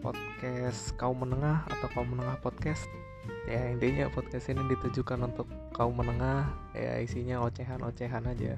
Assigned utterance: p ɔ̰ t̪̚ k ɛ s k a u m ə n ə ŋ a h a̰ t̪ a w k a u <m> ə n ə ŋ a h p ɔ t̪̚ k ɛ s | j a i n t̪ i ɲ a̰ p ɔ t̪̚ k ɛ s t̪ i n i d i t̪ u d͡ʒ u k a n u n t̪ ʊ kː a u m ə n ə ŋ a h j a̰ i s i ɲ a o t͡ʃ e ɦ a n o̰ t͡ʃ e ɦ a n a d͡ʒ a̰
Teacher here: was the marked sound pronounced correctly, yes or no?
yes